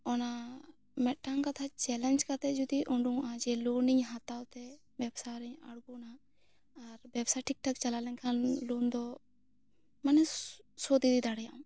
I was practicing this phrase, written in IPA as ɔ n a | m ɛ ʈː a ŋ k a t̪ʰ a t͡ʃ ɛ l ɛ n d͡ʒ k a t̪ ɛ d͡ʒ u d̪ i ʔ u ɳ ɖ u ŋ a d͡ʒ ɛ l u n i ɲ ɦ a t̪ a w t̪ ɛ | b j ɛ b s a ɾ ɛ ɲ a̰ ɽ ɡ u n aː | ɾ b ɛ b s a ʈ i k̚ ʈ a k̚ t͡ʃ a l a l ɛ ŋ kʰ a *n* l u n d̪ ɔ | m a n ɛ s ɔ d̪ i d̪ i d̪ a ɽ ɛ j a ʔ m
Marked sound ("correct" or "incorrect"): correct